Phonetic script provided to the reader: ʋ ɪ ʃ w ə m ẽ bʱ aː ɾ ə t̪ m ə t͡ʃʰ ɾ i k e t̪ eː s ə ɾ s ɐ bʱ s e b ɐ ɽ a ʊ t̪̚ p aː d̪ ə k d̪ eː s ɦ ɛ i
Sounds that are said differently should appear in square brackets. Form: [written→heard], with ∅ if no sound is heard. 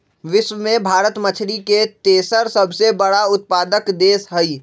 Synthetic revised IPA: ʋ ɪ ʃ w ə m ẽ bʱ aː ɾ ə t̪ m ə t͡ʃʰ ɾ i k e t̪ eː s ə ɾ s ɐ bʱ s e b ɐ ɽ a ʊ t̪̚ p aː d̪ ə k d̪ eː s ɦ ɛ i